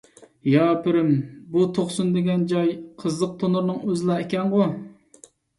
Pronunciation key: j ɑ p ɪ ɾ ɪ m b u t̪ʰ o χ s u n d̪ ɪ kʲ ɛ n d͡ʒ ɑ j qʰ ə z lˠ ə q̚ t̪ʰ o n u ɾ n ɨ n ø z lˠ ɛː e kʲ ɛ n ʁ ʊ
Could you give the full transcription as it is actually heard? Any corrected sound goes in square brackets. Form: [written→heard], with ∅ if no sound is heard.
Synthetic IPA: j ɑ p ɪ ɾ ɪ m b u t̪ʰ o χ s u n d̪ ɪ [kʲ→ɡʲ] ɛ n d͡ʒ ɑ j qʰ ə z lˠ ə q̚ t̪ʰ o n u ɾ n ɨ [n→ŋ] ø z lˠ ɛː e kʲ ɛ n ʁ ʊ